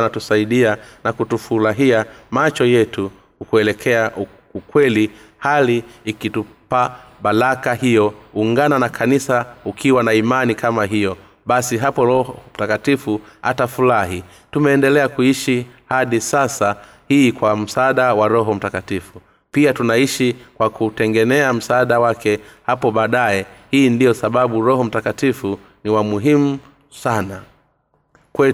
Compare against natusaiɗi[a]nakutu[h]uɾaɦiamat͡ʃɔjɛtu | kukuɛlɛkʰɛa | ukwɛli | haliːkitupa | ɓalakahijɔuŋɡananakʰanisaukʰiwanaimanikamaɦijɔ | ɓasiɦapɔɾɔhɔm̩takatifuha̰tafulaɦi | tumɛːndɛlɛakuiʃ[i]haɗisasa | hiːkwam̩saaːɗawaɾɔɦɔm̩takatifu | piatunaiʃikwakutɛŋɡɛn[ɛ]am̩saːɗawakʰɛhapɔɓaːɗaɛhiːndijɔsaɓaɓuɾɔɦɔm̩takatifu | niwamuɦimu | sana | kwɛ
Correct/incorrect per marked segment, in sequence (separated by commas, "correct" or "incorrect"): correct, incorrect, correct, correct